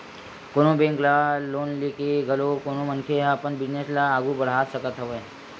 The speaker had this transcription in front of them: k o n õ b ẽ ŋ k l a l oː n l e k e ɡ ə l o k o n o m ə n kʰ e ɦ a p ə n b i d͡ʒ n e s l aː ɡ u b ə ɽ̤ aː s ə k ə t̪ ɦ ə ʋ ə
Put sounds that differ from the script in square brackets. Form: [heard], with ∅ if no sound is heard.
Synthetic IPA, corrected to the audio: k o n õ b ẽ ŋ k l a l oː n l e k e ɡ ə l o k o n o m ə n kʰ e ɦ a p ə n b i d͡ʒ n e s l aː ɡ u b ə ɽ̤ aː s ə k ə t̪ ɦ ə ʋ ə